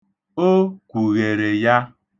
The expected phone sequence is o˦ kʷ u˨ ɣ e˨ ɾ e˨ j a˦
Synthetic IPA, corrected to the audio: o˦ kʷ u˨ ɣ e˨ ɾ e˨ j a˦